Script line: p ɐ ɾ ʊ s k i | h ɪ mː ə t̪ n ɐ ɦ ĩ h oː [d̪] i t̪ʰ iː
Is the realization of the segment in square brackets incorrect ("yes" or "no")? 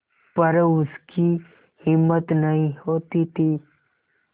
yes